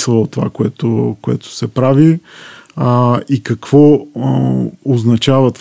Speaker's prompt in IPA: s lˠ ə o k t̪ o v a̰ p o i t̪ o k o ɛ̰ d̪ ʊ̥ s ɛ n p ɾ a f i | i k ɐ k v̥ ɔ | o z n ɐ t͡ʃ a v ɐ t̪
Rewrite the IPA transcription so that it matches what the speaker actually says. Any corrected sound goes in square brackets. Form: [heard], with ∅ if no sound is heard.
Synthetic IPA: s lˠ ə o [∅] t̪ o v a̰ [k] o [ɛ] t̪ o k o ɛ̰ [t̪] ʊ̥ s ɛ [∅] p ɾ a [v] i | i k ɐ k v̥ ɔ | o z n ɐ t͡ʃ a v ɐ t̪